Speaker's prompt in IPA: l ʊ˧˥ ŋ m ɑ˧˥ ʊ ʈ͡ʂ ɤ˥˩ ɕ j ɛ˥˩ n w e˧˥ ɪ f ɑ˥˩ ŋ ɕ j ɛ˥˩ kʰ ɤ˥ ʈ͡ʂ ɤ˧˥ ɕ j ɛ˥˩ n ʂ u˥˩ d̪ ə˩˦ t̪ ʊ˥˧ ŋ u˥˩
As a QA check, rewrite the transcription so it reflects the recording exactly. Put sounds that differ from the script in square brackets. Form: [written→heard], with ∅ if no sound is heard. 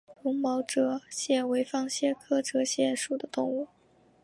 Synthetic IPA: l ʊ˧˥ ŋ m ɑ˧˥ ʊ ʈ͡ʂ [ɤ˥˩→ɤ˧˥] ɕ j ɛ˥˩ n w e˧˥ ɪ f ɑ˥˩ ŋ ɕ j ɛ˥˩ kʰ ɤ˥ ʈ͡ʂ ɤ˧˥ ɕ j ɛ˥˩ n ʂ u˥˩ d̪ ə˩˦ t̪ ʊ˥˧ ŋ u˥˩